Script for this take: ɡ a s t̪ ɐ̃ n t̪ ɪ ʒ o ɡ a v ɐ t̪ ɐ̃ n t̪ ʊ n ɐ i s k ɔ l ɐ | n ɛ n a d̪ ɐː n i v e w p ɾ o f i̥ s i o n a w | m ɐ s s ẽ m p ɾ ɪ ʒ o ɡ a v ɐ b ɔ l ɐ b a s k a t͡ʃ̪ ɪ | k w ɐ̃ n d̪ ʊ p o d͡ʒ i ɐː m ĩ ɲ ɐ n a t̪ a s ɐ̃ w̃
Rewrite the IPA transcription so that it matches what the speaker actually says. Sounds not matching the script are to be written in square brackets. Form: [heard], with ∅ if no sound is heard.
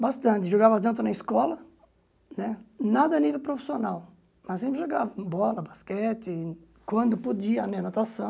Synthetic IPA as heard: [b] a s t̪ ɐ̃ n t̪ ɪ ʒ o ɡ a v ɐ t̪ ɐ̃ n t̪ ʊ n ɐ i s k ɔ l ɐ | n ɛ n a d̪ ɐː n i v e w p ɾ o f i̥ s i o n a w | m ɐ s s ẽ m p ɾ ɪ ʒ o ɡ a v ɐ b ɔ l ɐ b a s k [ɛ] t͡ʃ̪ ɪ | k w ɐ̃ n d̪ ʊ p o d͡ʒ i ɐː m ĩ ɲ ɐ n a t̪ a s ɐ̃ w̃